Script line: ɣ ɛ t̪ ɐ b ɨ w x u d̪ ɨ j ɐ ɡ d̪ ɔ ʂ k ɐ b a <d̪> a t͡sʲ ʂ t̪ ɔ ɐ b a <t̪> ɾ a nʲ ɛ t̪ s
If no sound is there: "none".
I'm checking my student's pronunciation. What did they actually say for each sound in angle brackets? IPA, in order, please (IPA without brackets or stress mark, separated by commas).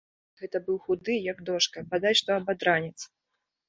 d̪, d̪